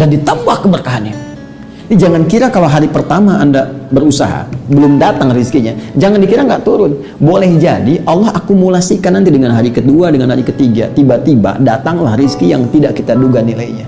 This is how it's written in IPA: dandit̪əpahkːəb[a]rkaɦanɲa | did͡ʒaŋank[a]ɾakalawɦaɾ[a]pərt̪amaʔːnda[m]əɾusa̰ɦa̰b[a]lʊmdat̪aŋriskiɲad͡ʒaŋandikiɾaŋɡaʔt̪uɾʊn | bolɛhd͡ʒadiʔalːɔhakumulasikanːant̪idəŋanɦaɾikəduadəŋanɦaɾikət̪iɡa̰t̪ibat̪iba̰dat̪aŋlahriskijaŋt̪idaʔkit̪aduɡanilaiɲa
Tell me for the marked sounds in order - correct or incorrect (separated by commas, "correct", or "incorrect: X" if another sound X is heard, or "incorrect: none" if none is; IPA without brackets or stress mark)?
incorrect: ə, incorrect: i, incorrect: i, incorrect: b, incorrect: ə